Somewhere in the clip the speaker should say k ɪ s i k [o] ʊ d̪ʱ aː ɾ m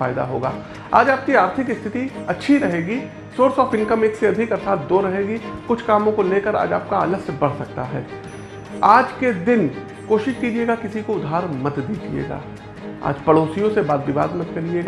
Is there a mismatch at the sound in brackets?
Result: no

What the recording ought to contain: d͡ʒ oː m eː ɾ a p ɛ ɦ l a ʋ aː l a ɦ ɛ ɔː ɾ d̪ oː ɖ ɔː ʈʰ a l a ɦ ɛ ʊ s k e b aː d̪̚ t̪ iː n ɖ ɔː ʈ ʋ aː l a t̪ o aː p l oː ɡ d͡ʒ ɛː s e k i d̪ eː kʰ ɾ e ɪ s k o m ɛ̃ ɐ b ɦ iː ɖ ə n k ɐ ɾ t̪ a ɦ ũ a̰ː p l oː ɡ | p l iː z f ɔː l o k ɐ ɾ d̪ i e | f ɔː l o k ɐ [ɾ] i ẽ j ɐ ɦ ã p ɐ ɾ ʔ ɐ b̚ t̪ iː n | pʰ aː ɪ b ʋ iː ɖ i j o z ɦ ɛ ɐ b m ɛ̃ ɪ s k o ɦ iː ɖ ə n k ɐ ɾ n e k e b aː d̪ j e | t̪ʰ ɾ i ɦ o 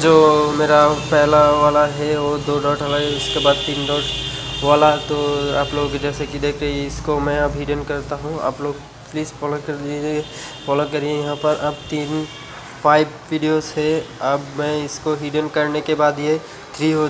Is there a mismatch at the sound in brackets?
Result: no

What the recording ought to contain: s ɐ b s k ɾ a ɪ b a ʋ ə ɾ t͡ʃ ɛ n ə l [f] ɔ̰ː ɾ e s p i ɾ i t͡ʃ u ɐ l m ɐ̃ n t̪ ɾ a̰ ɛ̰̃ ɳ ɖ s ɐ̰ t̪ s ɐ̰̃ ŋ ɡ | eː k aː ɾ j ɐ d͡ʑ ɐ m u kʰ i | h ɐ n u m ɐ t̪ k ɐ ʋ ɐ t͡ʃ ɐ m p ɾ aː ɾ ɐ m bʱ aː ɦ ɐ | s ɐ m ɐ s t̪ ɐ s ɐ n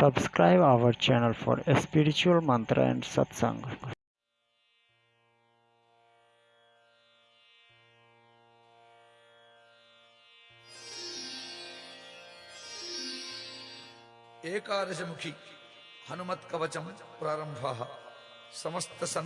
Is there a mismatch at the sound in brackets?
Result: no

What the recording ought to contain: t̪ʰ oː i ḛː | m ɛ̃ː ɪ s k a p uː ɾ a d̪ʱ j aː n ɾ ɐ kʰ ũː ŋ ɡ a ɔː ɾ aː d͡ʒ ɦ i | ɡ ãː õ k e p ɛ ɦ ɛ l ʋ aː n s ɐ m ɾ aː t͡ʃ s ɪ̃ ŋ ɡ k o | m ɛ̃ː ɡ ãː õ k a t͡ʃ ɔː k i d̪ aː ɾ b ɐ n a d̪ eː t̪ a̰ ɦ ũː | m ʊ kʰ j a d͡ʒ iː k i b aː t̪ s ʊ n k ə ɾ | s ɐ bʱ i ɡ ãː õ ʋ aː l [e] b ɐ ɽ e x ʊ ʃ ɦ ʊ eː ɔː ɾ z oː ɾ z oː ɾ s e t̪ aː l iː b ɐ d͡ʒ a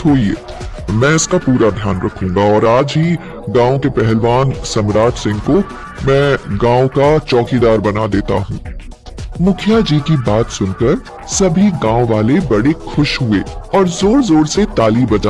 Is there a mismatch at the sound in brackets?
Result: no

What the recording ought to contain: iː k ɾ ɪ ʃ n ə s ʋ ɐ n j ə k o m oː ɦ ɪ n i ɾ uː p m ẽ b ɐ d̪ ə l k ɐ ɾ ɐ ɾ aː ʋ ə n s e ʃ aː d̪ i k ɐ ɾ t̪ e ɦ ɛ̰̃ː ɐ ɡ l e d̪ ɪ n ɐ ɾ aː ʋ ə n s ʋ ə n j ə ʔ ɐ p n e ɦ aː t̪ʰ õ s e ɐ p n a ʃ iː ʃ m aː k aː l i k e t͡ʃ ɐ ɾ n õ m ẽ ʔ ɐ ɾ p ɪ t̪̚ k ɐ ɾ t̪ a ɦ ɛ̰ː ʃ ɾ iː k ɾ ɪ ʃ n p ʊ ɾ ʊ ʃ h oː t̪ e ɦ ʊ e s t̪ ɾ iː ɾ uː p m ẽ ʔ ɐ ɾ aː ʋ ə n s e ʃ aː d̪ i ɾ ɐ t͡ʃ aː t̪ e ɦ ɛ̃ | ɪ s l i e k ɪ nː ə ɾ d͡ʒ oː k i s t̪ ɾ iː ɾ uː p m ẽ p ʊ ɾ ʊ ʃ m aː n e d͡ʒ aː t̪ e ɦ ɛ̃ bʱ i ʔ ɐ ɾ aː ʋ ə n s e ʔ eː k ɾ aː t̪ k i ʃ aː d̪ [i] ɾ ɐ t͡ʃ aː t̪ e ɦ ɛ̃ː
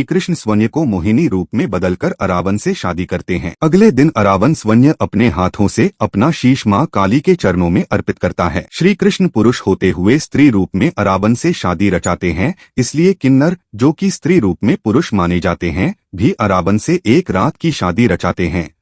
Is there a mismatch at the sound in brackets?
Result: no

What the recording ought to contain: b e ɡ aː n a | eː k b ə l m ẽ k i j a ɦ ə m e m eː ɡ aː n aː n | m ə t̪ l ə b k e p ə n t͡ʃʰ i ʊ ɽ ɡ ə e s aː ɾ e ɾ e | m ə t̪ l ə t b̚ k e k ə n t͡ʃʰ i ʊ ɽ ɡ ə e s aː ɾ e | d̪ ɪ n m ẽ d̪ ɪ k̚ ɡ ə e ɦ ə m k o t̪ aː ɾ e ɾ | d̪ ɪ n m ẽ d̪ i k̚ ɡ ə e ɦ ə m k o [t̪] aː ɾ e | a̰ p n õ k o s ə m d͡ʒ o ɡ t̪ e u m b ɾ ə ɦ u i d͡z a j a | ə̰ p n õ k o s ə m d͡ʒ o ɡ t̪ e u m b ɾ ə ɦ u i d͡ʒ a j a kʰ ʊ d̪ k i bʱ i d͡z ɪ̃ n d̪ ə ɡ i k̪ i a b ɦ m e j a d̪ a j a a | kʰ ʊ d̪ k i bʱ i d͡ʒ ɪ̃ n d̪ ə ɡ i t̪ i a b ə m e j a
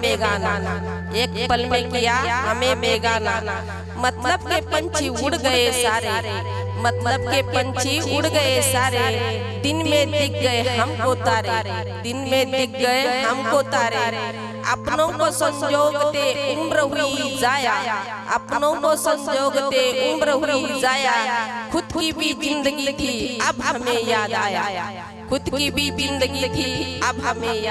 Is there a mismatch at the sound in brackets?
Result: no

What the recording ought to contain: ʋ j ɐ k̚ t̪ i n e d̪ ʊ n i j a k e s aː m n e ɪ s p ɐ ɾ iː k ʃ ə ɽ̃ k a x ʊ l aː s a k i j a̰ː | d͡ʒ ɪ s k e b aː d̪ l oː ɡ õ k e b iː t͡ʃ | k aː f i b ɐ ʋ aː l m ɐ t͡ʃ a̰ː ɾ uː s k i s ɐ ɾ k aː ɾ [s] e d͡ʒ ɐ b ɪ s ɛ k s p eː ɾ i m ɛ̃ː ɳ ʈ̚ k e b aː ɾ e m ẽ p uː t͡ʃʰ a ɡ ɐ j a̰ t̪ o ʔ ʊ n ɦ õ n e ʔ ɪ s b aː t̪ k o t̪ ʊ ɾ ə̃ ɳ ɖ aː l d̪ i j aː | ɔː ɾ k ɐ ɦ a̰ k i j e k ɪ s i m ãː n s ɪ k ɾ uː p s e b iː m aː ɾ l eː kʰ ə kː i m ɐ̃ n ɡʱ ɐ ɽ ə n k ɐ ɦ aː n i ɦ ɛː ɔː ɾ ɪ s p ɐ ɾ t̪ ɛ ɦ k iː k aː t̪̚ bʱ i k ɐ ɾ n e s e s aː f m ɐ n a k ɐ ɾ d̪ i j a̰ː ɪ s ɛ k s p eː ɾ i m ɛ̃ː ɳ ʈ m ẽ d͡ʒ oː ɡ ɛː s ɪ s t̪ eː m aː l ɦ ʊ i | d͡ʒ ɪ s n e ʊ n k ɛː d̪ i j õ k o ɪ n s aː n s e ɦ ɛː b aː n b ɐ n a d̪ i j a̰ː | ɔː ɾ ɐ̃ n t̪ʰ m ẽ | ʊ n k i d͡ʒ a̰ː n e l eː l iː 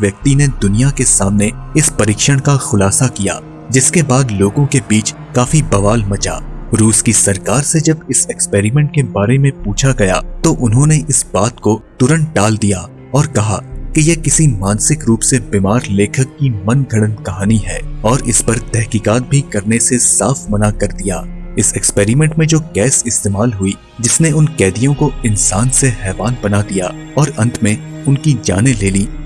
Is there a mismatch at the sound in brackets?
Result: no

